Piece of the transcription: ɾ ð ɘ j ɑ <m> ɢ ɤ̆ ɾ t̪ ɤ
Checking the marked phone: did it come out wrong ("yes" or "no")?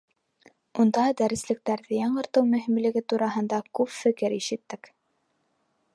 yes